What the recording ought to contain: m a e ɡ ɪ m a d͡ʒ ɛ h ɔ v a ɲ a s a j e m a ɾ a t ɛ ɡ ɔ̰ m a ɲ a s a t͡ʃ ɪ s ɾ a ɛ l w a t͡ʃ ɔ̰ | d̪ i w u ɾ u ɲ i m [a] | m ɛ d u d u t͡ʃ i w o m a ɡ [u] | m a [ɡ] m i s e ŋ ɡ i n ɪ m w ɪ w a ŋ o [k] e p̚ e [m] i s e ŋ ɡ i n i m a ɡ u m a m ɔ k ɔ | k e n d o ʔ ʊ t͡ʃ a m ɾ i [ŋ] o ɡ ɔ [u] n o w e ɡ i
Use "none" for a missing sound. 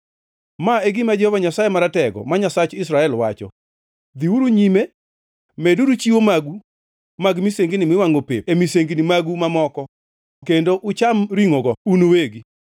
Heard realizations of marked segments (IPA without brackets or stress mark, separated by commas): e, u, ɡ, p, m, ŋ, u